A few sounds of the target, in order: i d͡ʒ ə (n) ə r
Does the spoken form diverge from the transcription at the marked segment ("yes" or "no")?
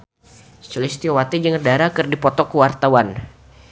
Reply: yes